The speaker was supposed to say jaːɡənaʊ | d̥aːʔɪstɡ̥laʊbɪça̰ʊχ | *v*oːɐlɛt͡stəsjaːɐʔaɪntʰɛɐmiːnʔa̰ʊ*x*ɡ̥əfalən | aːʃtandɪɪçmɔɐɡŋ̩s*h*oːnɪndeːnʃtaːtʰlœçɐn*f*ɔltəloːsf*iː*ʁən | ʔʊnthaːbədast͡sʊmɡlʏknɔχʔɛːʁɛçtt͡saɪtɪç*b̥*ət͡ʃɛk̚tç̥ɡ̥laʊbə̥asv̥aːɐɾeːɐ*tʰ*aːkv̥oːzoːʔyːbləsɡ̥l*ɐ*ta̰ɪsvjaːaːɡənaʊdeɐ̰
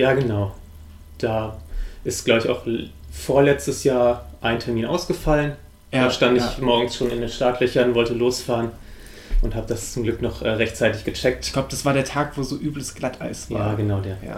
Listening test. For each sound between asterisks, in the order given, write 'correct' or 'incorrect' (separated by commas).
incorrect, incorrect, incorrect, incorrect, incorrect, incorrect, correct, incorrect